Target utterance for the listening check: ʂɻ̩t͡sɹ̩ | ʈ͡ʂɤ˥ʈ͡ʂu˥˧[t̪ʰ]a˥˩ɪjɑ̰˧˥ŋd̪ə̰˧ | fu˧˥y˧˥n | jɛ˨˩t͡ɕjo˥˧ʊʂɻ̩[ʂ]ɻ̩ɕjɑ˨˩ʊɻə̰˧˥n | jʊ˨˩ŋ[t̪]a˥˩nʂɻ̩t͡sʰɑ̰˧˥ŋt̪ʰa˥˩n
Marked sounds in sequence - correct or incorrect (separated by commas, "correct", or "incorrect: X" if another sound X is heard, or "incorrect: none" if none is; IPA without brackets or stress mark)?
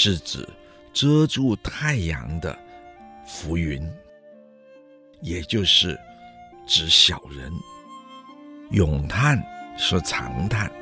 correct, incorrect: ʈ͡ʂ, incorrect: t̪ʰ